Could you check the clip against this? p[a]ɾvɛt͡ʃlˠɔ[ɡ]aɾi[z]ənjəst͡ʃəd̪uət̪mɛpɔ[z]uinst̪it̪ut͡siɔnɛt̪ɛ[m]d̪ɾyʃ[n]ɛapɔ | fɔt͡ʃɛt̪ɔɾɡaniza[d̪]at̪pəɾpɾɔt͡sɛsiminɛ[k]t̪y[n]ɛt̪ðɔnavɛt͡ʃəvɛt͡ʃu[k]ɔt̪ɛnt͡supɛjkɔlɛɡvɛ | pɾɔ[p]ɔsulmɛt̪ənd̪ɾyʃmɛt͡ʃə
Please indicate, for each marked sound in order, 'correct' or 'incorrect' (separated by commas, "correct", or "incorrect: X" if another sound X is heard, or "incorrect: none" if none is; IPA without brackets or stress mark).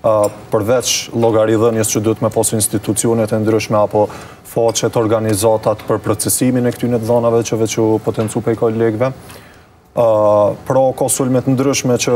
incorrect: ə, correct, incorrect: ð, incorrect: s, incorrect: n, incorrect: m, incorrect: t̪, correct, correct, incorrect: p, incorrect: k